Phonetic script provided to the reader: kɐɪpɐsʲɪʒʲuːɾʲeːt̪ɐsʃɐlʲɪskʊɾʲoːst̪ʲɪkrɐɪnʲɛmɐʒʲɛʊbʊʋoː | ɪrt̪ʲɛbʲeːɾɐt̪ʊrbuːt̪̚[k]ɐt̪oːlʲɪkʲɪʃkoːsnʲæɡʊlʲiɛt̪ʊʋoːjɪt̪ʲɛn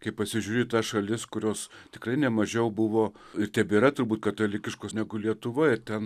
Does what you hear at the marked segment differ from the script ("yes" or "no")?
no